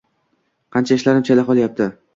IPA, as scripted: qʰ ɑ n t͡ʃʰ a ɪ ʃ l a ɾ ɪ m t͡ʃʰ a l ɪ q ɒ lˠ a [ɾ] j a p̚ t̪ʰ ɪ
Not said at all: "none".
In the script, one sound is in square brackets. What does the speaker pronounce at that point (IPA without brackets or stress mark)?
none